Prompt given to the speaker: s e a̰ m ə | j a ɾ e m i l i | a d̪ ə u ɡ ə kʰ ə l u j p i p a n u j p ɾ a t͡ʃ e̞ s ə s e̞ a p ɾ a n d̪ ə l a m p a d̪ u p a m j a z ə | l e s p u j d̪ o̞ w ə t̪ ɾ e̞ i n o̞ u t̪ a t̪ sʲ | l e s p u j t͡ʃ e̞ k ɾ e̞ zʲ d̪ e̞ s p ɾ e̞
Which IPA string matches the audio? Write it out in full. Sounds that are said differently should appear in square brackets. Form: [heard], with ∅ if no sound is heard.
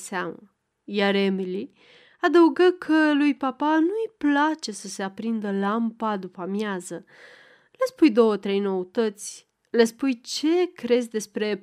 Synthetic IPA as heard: s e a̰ m ə | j a ɾ e m i l i | a d̪ ə u ɡ ə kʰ ə l u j p [a] p a n u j p [l] a t͡ʃ e̞ s ə s e̞ a p ɾ [i] n d̪ ə l a m p a d̪ u p a m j a z ə | l e s p u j d̪ o̞ w ə t̪ ɾ e̞ [j] n o̞ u t̪ [ə] t̪ sʲ | l e s p u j t͡ʃ e̞ k ɾ e̞ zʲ d̪ e̞ s p ɾ e̞